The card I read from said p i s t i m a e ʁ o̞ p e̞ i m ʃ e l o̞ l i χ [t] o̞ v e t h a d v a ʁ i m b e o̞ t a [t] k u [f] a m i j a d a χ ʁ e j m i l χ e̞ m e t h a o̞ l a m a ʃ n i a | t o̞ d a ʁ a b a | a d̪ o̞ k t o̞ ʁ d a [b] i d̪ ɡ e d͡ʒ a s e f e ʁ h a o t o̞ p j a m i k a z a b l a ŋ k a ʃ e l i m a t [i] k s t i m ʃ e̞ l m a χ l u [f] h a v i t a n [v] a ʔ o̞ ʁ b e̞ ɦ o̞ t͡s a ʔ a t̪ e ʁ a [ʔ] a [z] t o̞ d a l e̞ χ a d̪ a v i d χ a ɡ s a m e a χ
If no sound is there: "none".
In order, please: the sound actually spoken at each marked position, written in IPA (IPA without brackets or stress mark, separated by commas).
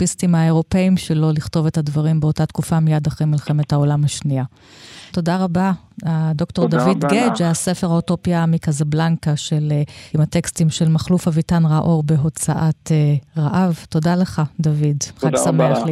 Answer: t, t, f, v, e, f, ʁ, ʔ, v